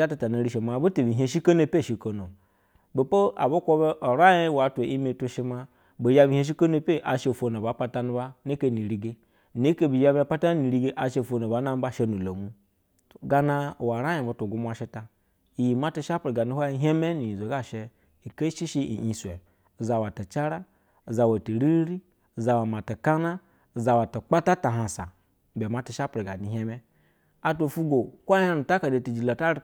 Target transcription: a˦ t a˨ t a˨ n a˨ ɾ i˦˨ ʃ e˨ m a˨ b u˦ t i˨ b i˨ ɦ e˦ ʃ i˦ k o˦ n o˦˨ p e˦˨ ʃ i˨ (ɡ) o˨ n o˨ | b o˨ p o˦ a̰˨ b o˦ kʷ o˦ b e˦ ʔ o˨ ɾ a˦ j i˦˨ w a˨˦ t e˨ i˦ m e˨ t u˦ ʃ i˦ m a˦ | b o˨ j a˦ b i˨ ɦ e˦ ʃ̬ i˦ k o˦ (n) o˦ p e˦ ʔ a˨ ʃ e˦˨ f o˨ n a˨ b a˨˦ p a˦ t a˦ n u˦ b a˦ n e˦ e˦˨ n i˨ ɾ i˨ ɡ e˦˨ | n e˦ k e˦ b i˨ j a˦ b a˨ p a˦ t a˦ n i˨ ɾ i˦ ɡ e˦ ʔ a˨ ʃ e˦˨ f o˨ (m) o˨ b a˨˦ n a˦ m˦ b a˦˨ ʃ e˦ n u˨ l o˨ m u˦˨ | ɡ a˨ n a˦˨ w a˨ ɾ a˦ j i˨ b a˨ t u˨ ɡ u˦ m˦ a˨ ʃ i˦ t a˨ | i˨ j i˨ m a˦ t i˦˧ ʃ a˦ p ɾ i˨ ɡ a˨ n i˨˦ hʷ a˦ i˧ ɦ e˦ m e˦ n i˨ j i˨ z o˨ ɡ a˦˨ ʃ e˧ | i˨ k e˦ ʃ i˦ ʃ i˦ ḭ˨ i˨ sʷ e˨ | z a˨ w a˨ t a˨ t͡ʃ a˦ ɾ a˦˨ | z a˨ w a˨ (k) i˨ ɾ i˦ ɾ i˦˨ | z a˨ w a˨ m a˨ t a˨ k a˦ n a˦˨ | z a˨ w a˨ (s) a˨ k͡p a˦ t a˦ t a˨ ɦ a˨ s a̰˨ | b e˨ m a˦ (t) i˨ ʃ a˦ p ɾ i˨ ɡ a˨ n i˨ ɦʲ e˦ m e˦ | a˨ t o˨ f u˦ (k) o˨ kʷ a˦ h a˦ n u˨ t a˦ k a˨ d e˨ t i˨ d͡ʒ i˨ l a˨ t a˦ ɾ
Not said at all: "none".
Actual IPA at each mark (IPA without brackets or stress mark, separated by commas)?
k, n, n, t, t, t, ɡ